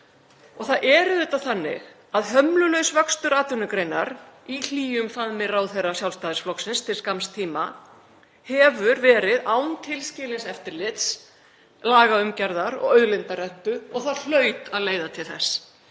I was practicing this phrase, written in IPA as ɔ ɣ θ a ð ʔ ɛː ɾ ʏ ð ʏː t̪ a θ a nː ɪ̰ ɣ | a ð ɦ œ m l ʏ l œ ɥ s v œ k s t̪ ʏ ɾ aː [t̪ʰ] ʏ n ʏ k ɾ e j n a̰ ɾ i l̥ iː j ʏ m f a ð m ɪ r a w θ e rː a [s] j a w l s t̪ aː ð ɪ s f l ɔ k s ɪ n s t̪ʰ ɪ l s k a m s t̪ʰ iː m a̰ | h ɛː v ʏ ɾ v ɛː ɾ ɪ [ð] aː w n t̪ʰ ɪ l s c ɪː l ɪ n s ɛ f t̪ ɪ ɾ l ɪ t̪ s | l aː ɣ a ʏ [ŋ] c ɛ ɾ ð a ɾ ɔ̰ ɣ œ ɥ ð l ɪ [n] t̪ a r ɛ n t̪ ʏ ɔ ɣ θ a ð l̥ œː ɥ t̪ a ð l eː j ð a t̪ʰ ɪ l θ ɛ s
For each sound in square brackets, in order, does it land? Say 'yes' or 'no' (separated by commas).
no, yes, yes, no, yes